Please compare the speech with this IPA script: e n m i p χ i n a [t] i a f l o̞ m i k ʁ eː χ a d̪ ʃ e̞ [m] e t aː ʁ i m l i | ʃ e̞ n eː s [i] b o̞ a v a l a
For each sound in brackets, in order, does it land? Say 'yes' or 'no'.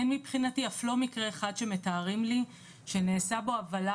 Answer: yes, yes, no

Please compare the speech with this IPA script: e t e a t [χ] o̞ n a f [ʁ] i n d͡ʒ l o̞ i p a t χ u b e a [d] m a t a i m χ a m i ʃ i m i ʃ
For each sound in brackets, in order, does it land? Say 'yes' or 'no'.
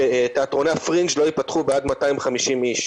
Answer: no, yes, yes

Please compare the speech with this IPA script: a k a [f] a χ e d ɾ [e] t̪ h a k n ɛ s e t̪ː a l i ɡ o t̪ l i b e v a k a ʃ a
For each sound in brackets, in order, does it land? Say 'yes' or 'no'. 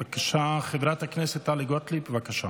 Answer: no, no

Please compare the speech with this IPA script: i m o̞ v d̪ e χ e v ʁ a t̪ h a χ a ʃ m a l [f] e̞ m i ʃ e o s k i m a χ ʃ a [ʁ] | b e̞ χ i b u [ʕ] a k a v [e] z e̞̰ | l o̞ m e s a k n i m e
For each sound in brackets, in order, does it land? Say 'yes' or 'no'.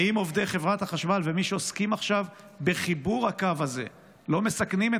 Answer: no, no, no, no

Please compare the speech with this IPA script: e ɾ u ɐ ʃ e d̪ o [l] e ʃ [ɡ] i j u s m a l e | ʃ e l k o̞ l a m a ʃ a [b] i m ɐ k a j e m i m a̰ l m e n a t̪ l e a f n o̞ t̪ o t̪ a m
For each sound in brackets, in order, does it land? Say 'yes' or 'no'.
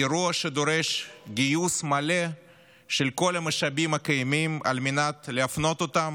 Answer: no, yes, yes

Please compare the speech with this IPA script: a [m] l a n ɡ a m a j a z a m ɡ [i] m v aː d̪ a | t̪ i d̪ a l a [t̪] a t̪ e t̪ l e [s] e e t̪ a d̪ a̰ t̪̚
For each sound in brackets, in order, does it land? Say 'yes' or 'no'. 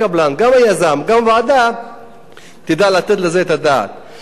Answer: no, no, no, no

